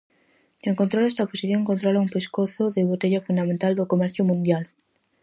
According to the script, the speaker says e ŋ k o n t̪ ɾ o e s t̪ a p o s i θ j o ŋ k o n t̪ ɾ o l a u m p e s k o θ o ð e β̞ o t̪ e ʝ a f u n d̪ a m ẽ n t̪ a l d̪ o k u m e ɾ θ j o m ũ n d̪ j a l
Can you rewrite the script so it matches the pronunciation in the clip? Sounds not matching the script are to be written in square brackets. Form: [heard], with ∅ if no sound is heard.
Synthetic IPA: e ŋ k o n t̪ ɾ o e s t̪ a p o s i θ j o ŋ k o n t̪ ɾ o l a u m p e s k o θ o ð e β̞ o t̪ e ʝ a f u n d̪ a m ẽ n t̪ a l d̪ o k [o] m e ɾ θ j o m ũ n d̪ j a l